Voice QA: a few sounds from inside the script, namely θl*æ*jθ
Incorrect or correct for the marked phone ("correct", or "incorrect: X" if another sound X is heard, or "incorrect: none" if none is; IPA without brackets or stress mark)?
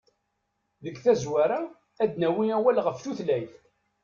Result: correct